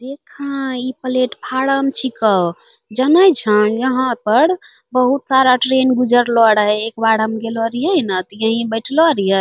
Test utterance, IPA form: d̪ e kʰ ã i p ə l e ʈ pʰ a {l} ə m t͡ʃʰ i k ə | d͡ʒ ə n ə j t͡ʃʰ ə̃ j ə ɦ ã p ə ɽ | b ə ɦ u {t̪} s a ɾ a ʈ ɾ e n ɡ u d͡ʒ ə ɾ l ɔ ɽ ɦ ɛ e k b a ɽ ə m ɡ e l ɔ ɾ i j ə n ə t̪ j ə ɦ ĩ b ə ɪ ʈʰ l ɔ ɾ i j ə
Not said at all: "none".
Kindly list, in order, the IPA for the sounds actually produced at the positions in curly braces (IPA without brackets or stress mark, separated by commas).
ɽ, t̪